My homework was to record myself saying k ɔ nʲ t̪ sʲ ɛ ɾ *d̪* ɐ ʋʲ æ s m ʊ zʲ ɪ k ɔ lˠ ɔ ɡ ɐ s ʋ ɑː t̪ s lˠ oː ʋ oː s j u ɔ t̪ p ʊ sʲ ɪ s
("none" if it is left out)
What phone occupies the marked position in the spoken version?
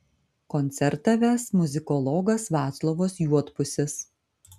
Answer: t̪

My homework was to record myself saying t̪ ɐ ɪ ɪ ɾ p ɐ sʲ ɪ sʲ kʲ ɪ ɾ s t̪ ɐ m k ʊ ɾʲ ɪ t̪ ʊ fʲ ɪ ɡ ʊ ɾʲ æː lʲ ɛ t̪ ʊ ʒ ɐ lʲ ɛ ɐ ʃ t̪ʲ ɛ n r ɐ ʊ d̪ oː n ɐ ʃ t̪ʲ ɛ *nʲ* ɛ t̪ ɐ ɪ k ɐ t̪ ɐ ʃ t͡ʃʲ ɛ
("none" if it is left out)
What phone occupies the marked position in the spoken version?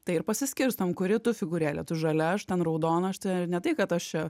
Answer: nʲ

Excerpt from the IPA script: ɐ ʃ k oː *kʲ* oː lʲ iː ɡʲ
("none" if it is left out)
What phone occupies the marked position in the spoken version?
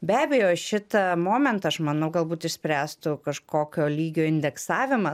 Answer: kʲ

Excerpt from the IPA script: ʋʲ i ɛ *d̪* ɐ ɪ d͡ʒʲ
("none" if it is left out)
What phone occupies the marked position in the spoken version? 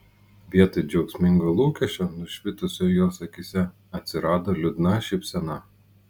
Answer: t̪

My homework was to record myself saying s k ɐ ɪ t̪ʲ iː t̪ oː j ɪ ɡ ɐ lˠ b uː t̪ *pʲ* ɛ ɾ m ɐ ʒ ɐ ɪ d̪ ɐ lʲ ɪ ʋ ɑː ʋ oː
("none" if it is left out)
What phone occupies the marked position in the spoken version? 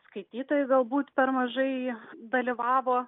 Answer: pʲ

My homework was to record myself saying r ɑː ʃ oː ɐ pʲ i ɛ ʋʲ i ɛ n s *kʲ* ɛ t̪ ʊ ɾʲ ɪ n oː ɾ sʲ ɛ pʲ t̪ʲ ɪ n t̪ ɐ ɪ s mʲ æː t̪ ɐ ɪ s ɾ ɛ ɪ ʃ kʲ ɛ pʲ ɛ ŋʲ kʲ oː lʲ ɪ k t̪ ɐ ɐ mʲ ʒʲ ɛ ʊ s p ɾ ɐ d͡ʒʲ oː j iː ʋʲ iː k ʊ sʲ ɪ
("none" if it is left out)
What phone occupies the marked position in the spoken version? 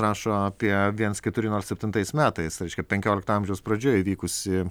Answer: kʲ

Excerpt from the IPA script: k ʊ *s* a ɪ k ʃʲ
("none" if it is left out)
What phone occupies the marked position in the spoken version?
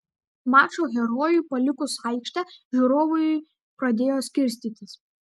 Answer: s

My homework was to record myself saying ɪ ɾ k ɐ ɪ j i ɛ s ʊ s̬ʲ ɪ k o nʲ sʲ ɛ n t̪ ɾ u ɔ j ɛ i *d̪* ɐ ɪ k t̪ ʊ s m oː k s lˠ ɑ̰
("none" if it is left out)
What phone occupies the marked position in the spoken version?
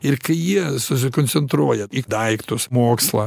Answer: d̪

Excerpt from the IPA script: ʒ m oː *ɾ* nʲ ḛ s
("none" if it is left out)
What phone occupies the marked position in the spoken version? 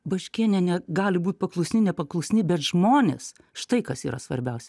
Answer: none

